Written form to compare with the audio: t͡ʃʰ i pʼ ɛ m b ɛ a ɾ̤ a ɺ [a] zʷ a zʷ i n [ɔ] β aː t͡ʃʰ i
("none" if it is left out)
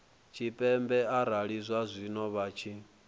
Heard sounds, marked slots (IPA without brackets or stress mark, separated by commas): i, ɔ